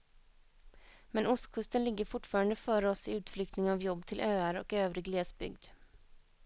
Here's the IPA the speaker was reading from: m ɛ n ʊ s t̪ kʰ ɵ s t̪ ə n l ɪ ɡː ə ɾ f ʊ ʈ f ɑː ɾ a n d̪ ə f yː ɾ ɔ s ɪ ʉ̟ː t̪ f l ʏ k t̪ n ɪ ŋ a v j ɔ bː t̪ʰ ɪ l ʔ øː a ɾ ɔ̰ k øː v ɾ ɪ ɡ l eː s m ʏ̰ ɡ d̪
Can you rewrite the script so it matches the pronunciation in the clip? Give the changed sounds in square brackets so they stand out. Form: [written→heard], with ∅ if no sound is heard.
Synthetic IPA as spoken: m ɛ n ʊ s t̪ kʰ ɵ s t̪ ə n l ɪ ɡː ə ɾ f ʊ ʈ f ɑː ɾ a n d̪ ə f [yː→œː] ɾ ɔ s ɪ ʉ̟ː t̪ f l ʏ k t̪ n ɪ ŋ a v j ɔ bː t̪ʰ ɪ l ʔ øː a ɾ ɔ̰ k øː v ɾ ɪ ɡ l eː s [m→b] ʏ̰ ɡ d̪

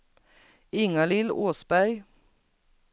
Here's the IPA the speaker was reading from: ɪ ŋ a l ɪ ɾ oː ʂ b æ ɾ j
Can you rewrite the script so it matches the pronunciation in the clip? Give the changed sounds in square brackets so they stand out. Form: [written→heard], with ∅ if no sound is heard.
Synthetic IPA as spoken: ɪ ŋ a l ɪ [ɾ→l] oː [ʂ→s] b æ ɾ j

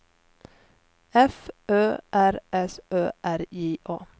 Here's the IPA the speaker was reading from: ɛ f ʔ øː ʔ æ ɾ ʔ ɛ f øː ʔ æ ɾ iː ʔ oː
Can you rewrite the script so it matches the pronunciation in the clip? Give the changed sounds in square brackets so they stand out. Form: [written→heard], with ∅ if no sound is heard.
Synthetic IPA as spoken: ɛ f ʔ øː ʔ æ ɾ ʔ ɛ [f→s] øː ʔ æ ɾ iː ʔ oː

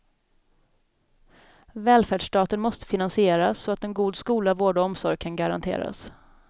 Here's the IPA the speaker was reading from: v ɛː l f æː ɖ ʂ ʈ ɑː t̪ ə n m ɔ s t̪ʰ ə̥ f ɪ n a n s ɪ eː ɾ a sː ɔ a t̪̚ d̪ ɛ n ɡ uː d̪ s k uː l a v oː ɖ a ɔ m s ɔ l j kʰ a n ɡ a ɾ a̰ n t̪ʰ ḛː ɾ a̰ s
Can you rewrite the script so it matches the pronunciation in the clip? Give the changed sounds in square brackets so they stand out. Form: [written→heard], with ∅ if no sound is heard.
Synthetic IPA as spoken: v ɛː l f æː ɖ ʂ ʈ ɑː t̪ ə n m ɔ s [t̪ʰ→t̪] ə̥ f ɪ n a n s ɪ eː ɾ a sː ɔ a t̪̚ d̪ ɛ n ɡ uː d̪ s k uː l a v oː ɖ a ɔ m s ɔ [l→ɾ] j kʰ a n ɡ a ɾ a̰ n t̪ʰ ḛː ɾ a̰ s

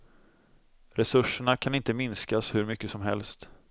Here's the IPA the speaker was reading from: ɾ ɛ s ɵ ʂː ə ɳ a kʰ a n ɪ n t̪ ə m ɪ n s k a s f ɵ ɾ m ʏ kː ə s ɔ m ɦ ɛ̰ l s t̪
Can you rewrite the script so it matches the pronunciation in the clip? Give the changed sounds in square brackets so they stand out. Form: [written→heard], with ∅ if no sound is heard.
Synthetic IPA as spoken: ɾ ɛ s ɵ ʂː ə ɳ a kʰ a n ɪ n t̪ ə m ɪ n s k a s [f→h] ɵ ɾ m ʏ kː ə s ɔ m ɦ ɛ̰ l s t̪

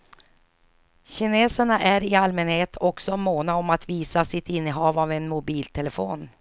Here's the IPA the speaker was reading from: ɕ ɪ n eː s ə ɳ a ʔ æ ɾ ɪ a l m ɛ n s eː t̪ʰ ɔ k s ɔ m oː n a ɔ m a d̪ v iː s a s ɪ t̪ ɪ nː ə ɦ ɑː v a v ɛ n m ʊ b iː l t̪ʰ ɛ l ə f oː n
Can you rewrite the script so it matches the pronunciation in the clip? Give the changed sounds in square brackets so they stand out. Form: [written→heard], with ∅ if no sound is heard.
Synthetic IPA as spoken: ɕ ɪ n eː s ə ɳ a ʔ æ ɾ ɪ a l m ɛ n [s→h] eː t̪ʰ ɔ k s ɔ m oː n a ɔ m a [d̪→t̪] v iː s a s ɪ t̪ ɪ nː ə ɦ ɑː v a v ɛ n m ʊ b iː l t̪ʰ ɛ l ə f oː n

